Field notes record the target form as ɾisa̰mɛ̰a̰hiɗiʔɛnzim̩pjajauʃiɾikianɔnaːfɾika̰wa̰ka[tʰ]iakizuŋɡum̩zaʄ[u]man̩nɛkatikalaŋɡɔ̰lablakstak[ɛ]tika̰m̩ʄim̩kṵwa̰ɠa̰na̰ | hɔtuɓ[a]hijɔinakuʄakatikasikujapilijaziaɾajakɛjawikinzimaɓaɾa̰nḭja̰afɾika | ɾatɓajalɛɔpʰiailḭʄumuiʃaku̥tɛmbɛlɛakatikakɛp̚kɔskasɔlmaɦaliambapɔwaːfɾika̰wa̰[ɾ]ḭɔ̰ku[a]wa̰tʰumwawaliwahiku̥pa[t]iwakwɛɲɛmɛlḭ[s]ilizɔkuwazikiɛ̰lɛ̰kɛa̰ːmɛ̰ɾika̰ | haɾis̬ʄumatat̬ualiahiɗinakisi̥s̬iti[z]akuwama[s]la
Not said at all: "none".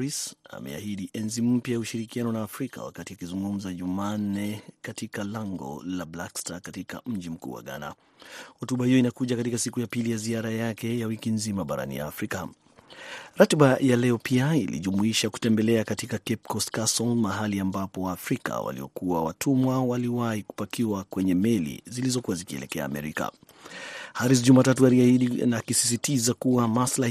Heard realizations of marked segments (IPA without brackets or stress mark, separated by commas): t, u, a, a, l, a, k, z, z, s